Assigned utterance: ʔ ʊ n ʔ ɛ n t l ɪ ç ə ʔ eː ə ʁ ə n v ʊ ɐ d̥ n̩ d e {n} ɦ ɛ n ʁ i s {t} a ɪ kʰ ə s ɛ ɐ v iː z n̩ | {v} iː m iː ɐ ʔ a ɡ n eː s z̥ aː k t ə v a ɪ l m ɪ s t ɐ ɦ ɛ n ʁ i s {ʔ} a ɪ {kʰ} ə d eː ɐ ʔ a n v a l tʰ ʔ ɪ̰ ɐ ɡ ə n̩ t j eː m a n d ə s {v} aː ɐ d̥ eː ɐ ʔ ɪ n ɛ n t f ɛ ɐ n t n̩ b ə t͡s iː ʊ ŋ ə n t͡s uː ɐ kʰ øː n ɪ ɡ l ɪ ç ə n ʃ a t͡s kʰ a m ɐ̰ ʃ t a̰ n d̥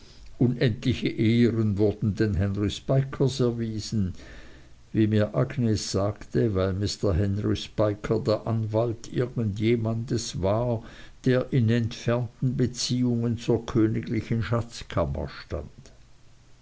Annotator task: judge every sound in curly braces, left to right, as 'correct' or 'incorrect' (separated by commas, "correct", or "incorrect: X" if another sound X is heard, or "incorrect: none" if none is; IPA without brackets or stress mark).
correct, incorrect: p, correct, incorrect: p, correct, correct